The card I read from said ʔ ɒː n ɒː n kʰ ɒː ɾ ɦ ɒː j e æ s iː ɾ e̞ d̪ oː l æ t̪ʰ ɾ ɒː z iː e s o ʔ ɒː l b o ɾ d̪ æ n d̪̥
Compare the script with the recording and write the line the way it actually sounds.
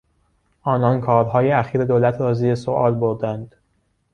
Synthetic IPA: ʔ ɒː n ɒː n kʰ ɒː ɾ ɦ ɒː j e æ x iː ɾ e̞ d̪ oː l æ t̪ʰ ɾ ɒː z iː e s o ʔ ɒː l b o ɾ d̪ æ n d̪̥